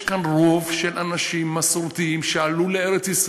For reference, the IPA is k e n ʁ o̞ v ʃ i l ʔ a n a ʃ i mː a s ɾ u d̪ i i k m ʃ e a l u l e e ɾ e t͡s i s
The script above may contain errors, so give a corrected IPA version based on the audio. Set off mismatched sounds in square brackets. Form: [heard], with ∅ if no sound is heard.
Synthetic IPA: k [a] n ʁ o̞ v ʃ [e] l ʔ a n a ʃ i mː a s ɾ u [t̪] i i [∅] m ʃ e a l u l e e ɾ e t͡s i s